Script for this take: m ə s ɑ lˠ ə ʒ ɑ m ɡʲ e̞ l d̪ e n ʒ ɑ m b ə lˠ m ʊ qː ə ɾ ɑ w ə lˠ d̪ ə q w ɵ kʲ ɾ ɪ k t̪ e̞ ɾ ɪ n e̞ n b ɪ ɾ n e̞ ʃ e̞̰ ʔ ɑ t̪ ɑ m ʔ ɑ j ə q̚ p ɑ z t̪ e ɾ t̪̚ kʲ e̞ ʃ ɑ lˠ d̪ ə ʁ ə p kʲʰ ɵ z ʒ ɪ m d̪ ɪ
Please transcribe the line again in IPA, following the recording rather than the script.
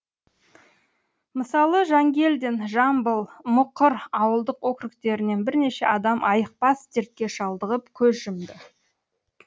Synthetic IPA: m ə s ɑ lˠ ə ʒ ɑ ŋ ɡʲ e̞ l d̪ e n ʒ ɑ m b ə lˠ m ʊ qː ə ɾ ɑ w ə lˠ d̪ ə q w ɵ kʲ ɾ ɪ k t̪ e̞ ɾ ɪ n e̞ n b ɪ ɾ n e̞ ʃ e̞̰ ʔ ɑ d̪ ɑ m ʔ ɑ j ə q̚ p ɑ s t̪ e ɾ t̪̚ kʲ e̞ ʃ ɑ lˠ d̪ ə ʁ ə p kʲʰ ɵ z ʒ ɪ m d̪ ɪ